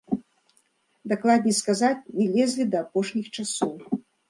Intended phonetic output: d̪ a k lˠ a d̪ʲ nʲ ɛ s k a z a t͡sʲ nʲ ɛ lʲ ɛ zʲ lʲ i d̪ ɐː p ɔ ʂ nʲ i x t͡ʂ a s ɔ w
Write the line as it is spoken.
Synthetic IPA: d̪ a k lˠ a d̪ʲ nʲ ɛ s k a z a t͡sʲ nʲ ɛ lʲ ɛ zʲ lʲ i d̪ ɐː p ɔ ʂ nʲ i x t͡ʂ a s ɔ w

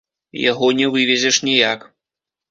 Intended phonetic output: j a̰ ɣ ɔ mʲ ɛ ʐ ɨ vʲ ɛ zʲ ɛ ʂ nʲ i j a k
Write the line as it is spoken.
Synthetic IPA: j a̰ ɣ ɔ nʲ ɛ v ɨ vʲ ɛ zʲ ɛ ʂ nʲ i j a k

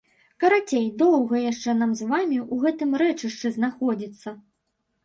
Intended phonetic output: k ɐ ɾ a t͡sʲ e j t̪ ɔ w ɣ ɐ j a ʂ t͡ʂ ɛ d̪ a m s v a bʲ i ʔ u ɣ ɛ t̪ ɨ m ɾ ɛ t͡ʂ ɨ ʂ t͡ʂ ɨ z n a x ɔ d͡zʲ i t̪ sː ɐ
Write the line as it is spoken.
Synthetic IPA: k ɐ ɾ a t͡sʲ e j d̪ ɔ w ɣ ɐ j a ʂ t͡ʂ ɛ n̪ a m z v a mʲ i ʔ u ɣ ɛ t̪ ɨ m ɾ ɛ t͡ʂ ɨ ʂ t͡ʂ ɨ z n a x ɔ d͡zʲ i t̪ sː ɐ

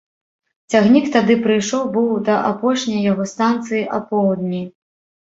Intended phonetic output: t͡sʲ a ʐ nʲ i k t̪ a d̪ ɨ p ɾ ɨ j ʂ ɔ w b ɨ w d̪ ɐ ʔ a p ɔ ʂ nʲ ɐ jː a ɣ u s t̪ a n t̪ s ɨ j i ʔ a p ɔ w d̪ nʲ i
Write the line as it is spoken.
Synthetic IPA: t͡sʲ a ɣ nʲ i k t̪ a d̪ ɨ p ɾ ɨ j ʂ ɔ w b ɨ w d̪ ɐ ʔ a p ɔ ʂ nʲ ɐ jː a ɣ ɔ s t̪ a n t̪ s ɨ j i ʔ a p ɔ w d̪ nʲ i

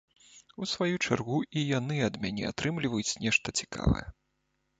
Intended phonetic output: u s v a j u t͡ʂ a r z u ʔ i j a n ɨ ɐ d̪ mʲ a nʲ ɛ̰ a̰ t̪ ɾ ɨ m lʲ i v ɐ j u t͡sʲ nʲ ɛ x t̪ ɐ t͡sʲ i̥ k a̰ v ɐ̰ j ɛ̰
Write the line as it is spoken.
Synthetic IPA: u s v a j u t͡ʂ a r ɣ u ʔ i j a n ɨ ɐ d̪ mʲ a nʲ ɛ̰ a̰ t̪ ɾ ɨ m lʲ i v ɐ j u t͡sʲ nʲ ɛ ʂ t̪ ɐ t͡sʲ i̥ k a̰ v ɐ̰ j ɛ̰

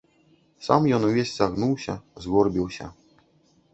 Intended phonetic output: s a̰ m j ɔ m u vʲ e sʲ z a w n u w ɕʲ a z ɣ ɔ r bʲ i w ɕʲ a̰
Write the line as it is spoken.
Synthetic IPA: s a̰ m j ɔ n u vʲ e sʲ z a ɣ n u w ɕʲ a z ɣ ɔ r bʲ i w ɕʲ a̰

